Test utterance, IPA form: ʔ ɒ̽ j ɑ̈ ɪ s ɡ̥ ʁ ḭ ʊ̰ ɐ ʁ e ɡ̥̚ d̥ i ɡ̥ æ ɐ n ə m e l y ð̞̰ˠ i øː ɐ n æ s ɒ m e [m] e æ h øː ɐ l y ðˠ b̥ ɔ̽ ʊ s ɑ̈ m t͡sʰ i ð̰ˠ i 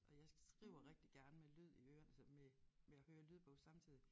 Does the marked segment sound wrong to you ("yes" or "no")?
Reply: no